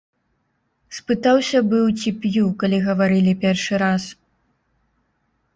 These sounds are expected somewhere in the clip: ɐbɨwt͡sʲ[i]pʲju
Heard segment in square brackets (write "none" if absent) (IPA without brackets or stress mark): i